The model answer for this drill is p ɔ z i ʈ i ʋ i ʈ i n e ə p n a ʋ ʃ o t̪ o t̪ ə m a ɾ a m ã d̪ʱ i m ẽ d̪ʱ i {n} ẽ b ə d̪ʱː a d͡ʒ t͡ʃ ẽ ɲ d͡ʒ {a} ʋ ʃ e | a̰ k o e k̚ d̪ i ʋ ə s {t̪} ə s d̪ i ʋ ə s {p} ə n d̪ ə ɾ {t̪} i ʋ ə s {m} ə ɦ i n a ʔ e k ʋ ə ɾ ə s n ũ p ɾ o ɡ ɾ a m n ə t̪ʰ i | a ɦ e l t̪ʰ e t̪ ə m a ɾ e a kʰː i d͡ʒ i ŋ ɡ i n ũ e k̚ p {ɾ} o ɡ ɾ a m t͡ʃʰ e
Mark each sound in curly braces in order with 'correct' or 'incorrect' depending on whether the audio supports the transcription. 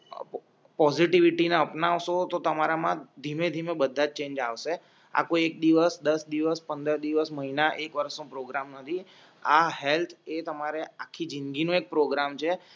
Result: incorrect, correct, incorrect, correct, incorrect, correct, correct

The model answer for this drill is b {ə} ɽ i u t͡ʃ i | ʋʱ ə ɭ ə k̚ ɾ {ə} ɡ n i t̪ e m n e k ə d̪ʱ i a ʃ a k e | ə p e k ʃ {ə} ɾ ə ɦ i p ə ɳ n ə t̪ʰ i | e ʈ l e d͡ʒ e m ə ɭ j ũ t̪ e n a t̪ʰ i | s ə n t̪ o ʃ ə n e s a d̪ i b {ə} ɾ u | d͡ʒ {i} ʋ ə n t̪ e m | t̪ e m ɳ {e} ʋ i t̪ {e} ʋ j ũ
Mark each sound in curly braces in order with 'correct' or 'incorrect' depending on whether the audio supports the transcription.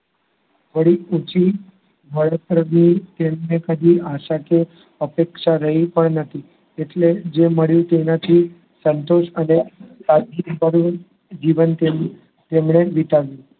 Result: correct, correct, incorrect, correct, correct, correct, incorrect

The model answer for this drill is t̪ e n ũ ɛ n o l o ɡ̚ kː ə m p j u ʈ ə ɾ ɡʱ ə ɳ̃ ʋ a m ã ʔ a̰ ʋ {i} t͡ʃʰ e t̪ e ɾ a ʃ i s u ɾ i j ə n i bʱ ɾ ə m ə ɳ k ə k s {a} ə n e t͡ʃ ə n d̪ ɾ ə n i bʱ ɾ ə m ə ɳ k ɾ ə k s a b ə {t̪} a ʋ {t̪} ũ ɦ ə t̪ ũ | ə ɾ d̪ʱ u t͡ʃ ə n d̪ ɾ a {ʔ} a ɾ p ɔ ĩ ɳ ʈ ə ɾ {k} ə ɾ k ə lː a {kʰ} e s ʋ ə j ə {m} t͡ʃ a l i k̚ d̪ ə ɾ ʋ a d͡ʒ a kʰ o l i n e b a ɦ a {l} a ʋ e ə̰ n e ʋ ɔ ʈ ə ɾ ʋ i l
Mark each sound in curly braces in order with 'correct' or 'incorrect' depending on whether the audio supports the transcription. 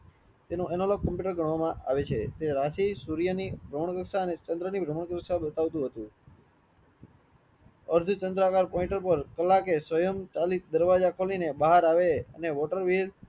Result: incorrect, correct, correct, correct, incorrect, incorrect, incorrect, correct, incorrect

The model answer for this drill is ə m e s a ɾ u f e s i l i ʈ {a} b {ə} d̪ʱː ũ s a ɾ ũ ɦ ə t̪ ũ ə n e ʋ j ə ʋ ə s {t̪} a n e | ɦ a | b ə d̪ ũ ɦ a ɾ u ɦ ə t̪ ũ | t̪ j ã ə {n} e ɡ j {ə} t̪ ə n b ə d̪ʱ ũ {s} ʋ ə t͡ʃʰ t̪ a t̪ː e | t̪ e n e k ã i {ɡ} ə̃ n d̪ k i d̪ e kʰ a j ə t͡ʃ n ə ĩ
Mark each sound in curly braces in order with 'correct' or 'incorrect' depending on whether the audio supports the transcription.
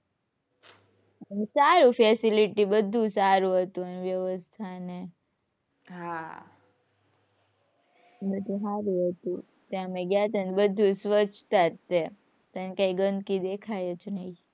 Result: incorrect, correct, incorrect, incorrect, incorrect, correct, correct

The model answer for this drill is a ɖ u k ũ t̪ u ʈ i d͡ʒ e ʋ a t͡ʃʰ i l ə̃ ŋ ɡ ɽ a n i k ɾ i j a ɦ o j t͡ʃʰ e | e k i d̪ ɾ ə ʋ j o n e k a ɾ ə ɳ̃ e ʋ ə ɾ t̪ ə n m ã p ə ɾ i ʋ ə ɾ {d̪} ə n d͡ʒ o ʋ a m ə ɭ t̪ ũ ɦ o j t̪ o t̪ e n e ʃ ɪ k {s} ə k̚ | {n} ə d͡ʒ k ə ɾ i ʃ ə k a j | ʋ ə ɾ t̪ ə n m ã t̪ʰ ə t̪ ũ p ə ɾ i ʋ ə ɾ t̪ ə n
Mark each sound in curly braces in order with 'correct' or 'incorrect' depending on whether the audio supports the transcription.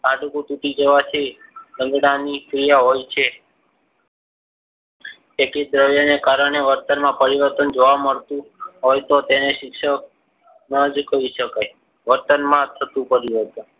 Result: incorrect, incorrect, correct

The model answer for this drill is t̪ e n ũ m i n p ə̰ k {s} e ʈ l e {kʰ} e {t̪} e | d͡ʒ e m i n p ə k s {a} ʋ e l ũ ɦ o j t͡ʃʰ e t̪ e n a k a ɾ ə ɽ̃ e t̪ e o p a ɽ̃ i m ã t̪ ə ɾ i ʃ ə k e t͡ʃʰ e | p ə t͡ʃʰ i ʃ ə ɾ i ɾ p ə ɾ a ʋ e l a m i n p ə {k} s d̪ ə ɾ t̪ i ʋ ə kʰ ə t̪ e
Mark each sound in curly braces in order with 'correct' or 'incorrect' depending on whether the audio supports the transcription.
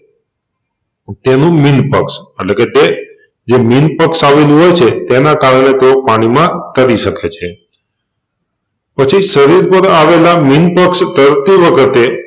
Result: correct, incorrect, correct, correct, correct

